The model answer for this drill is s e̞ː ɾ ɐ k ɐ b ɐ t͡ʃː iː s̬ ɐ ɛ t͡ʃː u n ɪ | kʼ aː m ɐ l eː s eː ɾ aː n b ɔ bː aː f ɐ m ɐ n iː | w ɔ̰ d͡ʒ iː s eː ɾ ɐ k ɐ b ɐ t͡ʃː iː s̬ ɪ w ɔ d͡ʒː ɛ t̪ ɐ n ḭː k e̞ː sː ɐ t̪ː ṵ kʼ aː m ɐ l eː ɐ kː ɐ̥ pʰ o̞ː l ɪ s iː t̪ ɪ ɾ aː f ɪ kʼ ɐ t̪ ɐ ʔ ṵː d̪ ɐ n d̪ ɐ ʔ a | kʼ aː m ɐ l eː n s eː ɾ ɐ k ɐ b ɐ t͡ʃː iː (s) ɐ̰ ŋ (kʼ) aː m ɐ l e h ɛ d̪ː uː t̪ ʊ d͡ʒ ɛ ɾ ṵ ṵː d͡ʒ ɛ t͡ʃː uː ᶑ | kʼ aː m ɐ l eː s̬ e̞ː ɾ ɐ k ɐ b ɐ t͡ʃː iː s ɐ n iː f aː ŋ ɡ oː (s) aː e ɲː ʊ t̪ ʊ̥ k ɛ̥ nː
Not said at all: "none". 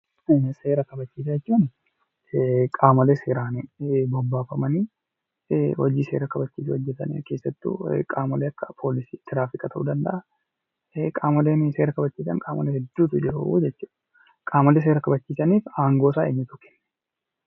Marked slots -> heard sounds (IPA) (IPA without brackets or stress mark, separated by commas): s, kʼ, s